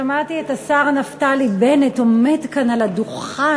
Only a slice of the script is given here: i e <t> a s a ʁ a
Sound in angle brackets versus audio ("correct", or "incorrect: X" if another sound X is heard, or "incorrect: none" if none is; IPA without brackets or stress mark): correct